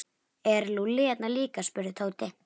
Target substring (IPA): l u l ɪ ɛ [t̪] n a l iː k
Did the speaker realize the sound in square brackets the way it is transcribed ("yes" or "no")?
yes